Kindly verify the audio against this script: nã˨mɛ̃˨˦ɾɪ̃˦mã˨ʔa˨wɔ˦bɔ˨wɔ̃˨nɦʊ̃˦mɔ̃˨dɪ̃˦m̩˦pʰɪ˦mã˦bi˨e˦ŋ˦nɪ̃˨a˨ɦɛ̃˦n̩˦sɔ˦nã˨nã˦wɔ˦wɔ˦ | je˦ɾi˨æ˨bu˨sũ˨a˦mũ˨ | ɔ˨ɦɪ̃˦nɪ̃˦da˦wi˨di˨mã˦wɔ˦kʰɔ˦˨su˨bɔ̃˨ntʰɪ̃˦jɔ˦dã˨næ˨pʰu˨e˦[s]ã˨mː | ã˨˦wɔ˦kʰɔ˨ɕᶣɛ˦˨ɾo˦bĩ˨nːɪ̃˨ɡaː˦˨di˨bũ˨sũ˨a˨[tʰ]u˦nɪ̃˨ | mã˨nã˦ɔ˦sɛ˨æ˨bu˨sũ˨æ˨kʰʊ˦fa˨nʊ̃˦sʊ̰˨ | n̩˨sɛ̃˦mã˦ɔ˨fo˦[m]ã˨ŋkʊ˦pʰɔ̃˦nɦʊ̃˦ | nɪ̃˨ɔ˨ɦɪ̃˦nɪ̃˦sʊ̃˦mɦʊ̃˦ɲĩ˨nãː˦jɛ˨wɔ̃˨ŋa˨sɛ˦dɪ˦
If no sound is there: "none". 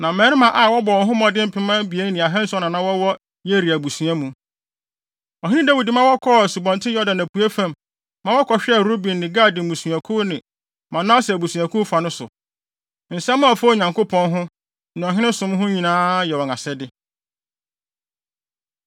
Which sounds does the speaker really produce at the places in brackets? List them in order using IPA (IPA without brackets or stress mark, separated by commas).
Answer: f, kʰ, ɲ